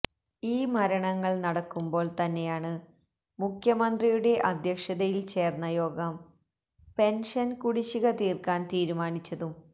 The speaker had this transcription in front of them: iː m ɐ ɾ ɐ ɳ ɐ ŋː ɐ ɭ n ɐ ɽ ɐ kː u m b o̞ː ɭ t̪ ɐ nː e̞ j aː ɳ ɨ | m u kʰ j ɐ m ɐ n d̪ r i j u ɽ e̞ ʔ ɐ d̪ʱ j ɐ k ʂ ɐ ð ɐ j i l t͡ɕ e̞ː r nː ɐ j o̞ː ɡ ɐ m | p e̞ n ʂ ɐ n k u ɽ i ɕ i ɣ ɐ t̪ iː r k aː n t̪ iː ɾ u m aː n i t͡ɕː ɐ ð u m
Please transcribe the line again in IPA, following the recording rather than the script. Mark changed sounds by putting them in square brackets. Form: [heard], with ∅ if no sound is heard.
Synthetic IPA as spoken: iː m ɐ ɾ ɐ ɳ ɐ ŋː ɐ ɭ n ɐ ɽ ɐ kː u m b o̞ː ɭ t̪ ɐ nː e̞ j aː ɳ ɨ | m u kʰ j ɐ m ɐ n d̪ r i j u ɽ e̞ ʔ ɐ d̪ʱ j ɐ k ʂ ɐ ð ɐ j i l t͡ɕ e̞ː r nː ɐ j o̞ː ɡ ɐ m | p e̞ n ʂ ɐ n k u ɽ i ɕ i ɣ ɐ t̪ iː r k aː n t̪ iː ɾ u m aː n i t͡ɕː ɐ ð u m